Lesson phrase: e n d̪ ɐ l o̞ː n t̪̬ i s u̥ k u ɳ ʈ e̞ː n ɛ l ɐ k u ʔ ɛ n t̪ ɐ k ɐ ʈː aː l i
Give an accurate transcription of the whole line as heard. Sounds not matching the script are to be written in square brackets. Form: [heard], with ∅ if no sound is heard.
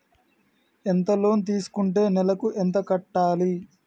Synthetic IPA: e n [t̪] ɐ l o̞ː n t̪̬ [iː] s u̥ k u ɳ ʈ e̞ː n ɛ l ɐ k u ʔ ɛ n t̪ ɐ k ɐ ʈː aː l i